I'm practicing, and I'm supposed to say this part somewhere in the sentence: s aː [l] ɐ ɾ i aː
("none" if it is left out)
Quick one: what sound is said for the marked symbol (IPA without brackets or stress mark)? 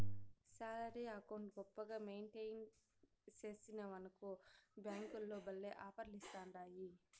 l